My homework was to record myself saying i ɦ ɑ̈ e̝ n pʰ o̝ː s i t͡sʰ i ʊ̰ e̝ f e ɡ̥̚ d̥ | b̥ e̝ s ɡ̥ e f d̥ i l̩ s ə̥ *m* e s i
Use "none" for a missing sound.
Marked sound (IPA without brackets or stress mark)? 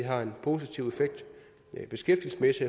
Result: m